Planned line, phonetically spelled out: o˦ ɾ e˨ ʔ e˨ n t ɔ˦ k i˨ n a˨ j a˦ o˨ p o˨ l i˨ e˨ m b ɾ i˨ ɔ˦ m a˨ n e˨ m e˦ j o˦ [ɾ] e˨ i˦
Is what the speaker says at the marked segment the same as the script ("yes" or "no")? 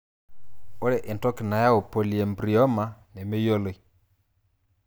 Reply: no